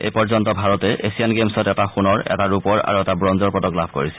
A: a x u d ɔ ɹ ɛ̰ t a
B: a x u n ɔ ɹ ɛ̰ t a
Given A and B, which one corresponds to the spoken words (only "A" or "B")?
B